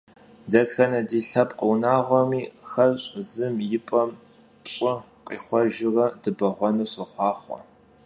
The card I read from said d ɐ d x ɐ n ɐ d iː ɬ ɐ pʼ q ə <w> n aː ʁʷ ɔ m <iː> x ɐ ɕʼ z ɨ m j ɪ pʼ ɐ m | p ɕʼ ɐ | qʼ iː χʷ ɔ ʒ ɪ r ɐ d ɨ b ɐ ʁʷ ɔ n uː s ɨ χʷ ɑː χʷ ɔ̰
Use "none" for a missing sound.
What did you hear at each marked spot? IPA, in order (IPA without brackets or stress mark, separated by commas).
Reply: w, iː